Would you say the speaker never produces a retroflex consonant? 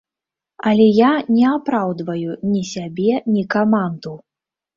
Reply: yes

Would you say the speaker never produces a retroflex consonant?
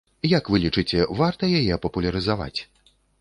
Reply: no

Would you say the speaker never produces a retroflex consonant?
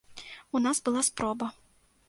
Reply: yes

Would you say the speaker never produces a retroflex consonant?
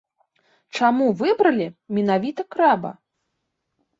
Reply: no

